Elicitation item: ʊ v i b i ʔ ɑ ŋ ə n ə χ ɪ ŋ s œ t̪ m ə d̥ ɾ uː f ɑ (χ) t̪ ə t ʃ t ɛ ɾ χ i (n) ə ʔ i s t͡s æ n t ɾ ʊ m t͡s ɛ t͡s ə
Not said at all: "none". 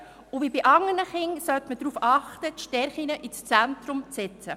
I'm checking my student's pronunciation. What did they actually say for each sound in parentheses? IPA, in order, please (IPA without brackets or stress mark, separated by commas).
χ, n